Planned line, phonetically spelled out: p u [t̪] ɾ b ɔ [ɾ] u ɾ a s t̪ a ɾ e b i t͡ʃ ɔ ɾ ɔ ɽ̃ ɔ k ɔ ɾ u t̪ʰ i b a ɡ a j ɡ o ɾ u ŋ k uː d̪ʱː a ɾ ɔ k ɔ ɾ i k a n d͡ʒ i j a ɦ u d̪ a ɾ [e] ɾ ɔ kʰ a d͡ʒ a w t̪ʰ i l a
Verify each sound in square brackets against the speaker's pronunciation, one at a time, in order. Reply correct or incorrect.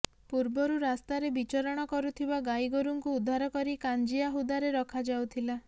incorrect: none, correct, correct

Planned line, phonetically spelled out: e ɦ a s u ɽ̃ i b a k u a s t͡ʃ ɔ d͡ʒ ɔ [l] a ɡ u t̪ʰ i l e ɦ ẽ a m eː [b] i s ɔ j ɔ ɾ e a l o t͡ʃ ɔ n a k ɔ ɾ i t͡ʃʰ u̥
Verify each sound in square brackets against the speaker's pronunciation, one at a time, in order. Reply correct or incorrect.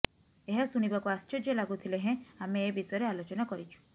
correct, correct

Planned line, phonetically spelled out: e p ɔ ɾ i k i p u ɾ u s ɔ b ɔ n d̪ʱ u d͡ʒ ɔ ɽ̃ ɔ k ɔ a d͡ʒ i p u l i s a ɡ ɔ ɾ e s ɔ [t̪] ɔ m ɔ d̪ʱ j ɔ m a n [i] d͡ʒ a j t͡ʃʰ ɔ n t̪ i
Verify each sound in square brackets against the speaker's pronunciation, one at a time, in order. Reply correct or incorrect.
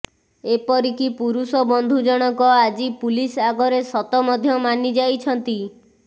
correct, correct

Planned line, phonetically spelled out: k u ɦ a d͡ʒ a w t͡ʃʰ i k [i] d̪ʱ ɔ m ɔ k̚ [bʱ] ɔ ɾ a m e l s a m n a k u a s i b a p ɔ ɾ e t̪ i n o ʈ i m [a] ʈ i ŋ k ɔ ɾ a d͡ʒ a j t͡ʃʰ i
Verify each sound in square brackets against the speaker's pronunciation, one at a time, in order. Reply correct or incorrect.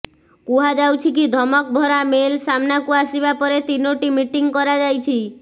correct, correct, incorrect: i

